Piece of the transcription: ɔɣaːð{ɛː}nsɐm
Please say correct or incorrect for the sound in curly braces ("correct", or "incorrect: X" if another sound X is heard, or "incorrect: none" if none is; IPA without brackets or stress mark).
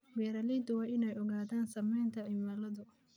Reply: incorrect: aː